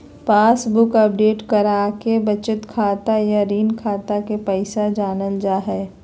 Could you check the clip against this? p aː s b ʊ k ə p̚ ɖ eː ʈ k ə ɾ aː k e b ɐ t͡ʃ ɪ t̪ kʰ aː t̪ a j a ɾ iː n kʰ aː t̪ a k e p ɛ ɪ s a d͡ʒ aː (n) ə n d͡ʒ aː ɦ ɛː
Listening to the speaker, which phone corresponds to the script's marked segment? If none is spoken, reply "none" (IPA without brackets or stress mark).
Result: n